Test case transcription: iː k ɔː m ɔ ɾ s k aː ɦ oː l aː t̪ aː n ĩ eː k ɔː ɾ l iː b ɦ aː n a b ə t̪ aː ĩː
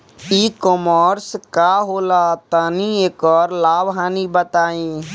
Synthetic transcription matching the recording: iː k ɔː m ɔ ɾ s k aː ɦ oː l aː t̪ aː n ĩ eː k ɔː ɾ l aː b ɦ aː n i b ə t̪ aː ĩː